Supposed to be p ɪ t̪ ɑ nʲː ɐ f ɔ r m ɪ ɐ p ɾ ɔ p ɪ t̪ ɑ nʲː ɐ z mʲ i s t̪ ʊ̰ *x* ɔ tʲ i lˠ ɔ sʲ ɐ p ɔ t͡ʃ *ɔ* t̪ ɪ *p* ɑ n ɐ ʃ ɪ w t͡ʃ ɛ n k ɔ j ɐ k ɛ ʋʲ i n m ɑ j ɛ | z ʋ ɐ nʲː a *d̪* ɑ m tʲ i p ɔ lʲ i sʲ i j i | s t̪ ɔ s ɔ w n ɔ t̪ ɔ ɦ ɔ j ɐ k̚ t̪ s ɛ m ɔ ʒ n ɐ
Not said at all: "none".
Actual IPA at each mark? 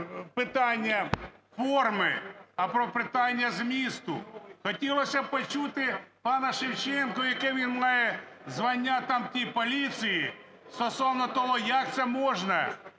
x, u, p, t̪

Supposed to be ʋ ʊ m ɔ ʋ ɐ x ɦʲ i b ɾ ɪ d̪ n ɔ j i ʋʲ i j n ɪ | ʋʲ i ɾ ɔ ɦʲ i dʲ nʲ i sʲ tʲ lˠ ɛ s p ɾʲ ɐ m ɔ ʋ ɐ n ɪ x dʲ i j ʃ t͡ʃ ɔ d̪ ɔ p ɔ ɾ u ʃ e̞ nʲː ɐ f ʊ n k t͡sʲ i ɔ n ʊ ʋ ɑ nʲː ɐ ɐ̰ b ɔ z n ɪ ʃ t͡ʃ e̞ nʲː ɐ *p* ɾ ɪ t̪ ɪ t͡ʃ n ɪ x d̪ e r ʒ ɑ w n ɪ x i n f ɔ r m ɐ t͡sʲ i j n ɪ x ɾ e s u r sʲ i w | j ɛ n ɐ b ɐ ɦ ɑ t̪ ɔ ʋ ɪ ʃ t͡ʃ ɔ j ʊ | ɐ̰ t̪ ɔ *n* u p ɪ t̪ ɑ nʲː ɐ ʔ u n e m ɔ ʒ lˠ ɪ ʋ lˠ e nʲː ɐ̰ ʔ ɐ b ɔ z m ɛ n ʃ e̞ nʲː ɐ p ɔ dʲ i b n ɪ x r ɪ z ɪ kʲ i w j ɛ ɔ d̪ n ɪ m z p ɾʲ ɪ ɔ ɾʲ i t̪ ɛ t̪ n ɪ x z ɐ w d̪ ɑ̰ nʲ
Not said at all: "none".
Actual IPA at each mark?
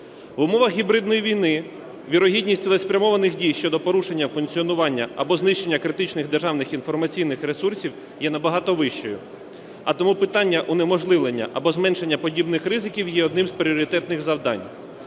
k, m

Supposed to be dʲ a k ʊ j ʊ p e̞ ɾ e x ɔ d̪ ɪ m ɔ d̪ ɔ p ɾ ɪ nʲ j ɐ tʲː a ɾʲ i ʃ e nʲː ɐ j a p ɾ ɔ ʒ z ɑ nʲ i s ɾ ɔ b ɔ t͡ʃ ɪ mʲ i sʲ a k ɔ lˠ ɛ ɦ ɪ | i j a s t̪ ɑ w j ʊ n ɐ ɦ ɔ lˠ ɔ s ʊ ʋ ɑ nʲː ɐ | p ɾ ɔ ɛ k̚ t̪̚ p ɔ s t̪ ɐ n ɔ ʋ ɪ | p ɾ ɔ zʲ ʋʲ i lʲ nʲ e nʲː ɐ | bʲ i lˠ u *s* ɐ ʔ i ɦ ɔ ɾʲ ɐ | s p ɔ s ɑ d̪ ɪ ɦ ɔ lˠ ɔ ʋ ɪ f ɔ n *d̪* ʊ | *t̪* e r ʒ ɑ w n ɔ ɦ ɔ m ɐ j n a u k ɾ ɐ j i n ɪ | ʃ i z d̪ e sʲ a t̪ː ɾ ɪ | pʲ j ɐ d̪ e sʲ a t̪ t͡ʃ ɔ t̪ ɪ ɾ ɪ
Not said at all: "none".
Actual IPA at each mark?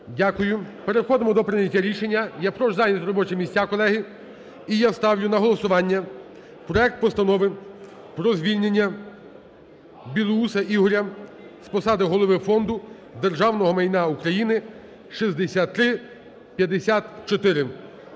s, d̪, d̪

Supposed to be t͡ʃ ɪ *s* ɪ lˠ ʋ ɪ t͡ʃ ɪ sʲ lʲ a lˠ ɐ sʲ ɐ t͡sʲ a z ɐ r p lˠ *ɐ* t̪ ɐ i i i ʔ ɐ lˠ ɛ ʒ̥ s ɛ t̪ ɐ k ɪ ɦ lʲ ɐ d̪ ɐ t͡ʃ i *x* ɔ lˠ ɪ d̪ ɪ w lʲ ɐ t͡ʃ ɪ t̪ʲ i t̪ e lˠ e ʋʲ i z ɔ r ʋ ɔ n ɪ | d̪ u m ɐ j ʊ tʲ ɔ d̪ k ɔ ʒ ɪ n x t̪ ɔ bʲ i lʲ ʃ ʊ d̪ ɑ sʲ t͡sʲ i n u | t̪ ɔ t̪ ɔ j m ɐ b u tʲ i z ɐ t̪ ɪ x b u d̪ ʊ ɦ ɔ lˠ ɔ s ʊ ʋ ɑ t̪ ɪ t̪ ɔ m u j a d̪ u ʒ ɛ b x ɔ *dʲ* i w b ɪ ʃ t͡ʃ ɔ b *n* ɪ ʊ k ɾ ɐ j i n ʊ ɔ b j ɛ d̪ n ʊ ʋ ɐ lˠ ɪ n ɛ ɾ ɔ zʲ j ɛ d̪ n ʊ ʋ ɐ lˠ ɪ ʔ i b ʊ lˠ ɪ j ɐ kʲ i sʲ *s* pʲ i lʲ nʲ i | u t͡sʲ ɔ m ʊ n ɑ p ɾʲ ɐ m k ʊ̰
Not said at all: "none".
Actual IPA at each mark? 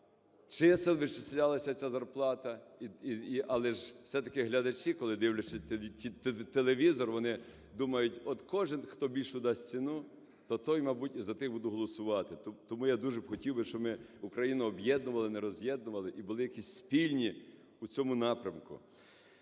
s, ɑ, k, tʲ, m, s

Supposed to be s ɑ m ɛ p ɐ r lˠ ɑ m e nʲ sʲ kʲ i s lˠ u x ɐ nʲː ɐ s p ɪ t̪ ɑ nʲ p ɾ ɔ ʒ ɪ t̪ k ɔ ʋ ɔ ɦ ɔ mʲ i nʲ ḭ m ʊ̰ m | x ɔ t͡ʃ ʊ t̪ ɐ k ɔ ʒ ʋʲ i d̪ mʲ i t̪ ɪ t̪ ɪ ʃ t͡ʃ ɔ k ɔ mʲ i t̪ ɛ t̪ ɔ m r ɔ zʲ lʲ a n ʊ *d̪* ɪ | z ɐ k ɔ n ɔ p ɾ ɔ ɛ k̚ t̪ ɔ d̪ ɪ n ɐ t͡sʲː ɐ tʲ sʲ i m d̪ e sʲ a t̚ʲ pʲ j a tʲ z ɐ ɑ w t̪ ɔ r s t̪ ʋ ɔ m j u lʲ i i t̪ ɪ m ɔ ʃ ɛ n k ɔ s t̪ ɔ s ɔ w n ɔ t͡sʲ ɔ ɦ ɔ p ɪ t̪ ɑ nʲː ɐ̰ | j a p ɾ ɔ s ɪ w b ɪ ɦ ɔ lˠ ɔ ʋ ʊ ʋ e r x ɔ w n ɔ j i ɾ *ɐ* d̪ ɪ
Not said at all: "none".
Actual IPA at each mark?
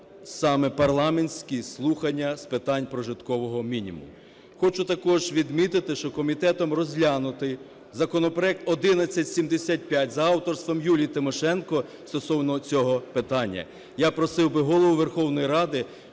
t̪, ɑ

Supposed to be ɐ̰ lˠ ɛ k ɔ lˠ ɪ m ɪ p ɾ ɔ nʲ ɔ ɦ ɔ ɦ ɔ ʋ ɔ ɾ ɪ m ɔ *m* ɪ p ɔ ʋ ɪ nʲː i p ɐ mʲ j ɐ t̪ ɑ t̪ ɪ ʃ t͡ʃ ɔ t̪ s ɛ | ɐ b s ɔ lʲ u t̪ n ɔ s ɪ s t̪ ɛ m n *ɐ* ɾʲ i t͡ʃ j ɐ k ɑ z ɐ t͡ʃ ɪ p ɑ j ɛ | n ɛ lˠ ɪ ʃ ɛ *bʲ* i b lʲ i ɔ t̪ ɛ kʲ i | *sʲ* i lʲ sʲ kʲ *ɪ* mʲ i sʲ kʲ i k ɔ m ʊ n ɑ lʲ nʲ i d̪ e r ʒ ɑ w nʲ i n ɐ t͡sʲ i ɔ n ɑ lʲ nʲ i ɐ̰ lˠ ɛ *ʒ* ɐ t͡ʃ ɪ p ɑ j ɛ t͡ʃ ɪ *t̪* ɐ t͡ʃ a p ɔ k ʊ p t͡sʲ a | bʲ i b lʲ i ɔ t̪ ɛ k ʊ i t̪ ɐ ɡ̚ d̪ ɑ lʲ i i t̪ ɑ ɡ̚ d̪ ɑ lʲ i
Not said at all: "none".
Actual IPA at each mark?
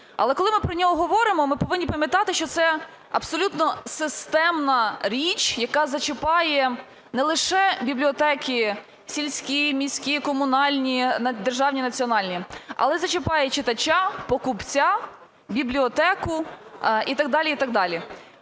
m, ɐ, bʲ, sʲ, i, z, t̪

